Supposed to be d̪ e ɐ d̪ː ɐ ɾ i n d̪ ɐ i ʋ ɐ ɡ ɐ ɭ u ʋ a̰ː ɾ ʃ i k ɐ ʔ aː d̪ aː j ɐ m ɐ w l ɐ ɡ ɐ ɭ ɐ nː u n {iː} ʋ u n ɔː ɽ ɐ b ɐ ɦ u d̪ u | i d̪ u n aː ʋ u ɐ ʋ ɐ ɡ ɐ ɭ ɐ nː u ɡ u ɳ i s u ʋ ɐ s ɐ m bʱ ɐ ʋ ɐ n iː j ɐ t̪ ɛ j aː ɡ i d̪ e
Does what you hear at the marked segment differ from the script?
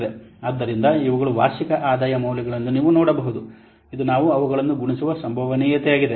no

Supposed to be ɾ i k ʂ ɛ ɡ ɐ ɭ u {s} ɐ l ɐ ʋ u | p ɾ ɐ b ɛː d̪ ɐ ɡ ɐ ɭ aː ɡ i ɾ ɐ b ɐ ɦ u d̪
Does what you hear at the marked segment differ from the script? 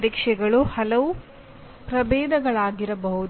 yes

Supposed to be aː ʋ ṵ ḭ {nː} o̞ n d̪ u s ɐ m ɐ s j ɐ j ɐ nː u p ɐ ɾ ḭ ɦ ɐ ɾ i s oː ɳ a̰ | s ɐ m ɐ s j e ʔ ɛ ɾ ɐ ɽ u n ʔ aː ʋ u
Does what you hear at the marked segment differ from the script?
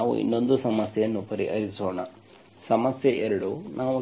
no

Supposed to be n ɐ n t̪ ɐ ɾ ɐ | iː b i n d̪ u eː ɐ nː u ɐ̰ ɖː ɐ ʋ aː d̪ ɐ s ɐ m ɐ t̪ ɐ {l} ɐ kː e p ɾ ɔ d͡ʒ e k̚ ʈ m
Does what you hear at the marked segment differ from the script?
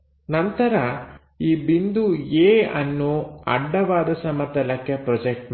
no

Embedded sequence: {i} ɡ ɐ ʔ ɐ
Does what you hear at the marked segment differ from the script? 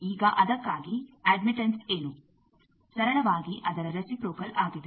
yes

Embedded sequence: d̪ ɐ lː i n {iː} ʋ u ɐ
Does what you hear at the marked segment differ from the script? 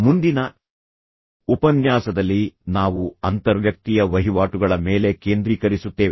yes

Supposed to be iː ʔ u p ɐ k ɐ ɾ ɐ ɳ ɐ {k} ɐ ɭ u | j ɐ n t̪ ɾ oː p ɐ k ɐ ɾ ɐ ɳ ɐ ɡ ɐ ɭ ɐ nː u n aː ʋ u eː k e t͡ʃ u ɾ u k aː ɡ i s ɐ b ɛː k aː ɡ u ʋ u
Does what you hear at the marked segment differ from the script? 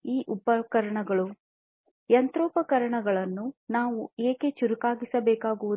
yes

